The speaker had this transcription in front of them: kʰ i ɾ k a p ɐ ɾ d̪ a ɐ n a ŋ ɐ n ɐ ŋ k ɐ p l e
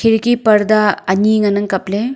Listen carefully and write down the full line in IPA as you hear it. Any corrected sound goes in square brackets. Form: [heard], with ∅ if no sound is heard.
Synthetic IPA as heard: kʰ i ɾ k [i] p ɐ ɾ d̪ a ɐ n [i] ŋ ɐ n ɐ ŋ k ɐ p l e